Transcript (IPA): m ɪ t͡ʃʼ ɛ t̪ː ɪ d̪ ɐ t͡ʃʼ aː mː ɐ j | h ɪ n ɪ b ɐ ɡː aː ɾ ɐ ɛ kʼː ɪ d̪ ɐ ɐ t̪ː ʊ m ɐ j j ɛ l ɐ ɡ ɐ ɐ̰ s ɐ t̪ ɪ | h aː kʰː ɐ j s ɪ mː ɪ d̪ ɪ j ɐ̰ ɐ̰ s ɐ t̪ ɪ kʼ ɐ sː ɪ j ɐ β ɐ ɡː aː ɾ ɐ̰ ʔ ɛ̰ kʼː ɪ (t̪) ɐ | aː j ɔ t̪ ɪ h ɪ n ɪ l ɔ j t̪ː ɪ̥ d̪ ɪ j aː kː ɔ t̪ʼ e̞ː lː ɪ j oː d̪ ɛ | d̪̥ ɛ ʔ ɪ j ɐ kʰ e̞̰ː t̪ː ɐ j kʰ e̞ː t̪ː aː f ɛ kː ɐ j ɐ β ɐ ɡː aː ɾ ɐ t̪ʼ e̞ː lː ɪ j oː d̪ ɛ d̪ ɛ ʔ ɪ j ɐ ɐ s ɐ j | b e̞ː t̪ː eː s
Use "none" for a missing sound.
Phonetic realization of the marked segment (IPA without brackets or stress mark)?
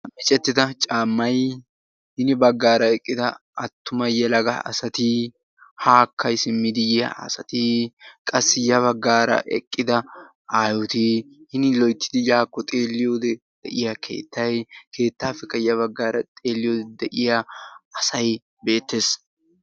d̪